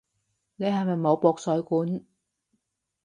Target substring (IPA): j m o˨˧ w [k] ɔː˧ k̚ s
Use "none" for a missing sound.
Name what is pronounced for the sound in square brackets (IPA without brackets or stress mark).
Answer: p